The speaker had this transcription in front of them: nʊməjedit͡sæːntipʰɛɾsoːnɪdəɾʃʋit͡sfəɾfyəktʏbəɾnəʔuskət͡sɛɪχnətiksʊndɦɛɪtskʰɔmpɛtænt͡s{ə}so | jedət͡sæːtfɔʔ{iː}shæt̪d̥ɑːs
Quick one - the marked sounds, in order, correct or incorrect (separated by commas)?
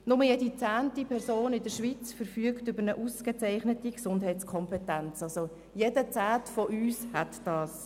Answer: incorrect, incorrect